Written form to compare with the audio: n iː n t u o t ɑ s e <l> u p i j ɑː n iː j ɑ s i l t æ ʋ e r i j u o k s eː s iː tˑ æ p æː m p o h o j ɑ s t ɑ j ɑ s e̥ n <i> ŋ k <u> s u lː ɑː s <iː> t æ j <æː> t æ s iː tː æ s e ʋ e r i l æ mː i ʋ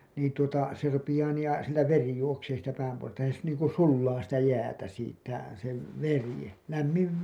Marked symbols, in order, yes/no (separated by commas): no, no, yes, no, yes